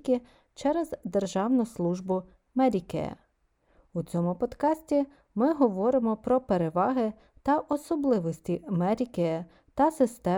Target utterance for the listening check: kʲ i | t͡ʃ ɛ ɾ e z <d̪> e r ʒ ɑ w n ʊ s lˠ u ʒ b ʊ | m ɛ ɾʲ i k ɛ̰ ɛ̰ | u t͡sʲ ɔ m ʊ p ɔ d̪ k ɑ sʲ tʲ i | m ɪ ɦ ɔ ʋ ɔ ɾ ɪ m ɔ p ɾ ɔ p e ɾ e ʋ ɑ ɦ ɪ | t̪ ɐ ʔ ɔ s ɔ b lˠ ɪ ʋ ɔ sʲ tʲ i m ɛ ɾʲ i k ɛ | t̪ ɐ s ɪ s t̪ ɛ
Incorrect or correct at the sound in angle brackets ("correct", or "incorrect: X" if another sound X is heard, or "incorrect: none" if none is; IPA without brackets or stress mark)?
correct